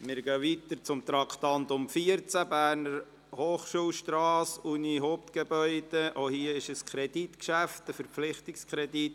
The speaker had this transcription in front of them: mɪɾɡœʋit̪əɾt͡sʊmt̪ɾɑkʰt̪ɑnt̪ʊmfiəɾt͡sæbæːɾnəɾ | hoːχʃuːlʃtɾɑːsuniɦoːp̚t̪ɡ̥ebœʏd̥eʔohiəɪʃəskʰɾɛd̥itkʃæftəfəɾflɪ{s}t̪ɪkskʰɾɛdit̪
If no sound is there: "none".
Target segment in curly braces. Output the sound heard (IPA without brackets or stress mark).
χ